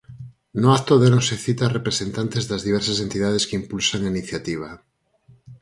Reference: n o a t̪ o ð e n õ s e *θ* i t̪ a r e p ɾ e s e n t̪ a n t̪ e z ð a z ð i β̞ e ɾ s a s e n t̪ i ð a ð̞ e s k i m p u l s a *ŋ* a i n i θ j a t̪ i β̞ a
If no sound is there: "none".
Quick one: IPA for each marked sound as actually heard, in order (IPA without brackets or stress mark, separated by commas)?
θ, ŋ